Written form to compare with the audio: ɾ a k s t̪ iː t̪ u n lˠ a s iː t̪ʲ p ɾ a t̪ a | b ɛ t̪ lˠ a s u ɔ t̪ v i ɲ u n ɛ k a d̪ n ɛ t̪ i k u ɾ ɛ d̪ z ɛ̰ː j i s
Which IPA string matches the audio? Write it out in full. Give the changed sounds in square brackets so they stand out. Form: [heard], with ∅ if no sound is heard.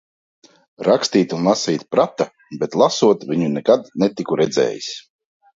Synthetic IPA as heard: ɾ a k s t̪ iː t̪ u n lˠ a s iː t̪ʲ p ɾ a t̪ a | b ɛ t̪ lˠ a s u ɔ t̪ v i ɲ u n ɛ k a d̪ n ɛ t̪ i k u ɾ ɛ d̪ z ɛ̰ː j i s